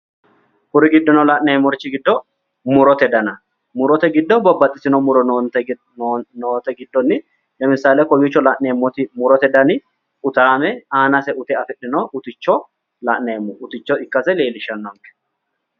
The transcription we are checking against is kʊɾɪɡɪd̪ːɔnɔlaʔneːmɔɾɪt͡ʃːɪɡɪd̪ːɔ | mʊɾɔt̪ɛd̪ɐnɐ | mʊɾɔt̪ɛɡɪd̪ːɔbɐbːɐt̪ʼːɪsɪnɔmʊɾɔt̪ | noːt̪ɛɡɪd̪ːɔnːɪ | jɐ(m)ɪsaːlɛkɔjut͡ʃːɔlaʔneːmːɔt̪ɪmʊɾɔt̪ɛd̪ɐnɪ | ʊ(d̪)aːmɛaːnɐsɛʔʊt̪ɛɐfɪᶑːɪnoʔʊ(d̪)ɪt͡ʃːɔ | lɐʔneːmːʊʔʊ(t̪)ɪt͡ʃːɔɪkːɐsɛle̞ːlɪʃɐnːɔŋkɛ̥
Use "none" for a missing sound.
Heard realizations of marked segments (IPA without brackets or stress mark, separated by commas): m, t̪, t̪, t̪